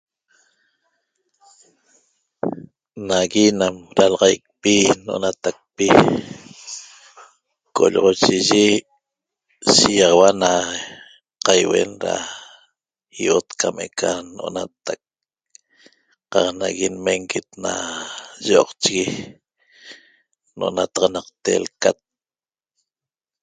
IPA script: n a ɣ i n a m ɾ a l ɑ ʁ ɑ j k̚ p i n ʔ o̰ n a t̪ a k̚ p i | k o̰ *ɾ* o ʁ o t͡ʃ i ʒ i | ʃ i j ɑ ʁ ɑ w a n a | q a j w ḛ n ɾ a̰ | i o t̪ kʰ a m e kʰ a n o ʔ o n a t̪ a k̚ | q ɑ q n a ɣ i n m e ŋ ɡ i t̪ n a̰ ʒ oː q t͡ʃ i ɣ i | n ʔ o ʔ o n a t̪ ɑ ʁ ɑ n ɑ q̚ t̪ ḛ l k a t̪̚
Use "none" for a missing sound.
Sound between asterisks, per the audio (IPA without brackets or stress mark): ʎ